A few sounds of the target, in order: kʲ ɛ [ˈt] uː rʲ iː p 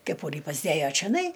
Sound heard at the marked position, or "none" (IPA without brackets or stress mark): p